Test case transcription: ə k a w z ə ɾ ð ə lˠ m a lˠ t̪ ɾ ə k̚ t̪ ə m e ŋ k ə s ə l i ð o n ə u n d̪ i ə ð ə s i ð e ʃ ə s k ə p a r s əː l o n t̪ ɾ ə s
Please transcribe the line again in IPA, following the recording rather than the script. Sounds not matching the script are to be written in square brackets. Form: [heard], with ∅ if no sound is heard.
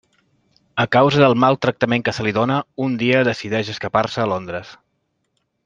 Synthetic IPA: ə k a w z ə [∅] ð ə lˠ m a lˠ t̪ ɾ ə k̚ t̪ ə m e ŋ k ə s ə l i ð o n ə u n d̪ i ə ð ə s i ð [ɛ] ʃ ə s k ə p a r s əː l o n [d̪] ɾ ə s